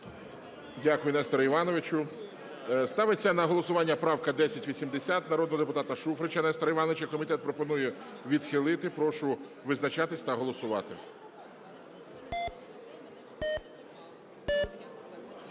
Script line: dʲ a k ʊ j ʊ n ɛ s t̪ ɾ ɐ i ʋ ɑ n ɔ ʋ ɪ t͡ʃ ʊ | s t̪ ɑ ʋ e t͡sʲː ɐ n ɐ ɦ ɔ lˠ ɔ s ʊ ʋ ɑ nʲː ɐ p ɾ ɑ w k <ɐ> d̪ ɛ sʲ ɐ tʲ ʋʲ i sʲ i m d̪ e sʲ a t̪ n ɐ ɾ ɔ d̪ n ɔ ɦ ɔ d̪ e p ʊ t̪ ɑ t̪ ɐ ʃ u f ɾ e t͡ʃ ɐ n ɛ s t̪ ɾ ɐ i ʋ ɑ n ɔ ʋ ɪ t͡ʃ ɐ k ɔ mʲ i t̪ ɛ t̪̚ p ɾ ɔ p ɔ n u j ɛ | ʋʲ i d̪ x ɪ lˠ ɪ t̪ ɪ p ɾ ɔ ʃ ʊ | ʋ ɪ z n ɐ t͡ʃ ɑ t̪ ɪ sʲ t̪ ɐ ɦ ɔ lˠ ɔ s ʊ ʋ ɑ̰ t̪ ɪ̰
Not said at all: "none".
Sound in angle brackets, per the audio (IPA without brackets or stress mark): ɐ